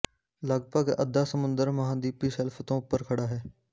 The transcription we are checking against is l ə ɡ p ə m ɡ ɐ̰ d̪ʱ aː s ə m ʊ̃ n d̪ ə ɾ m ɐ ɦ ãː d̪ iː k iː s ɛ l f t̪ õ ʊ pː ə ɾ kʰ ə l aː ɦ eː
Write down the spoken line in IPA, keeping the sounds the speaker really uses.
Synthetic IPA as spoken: l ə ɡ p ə ɡ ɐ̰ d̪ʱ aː s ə m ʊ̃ n d̪ ə ɾ m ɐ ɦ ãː d̪ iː p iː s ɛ l f t̪ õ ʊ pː ə ɾ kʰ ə ɽ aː ɦ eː